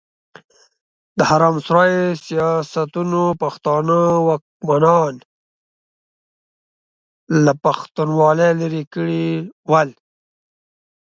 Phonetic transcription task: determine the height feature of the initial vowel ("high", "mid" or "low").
mid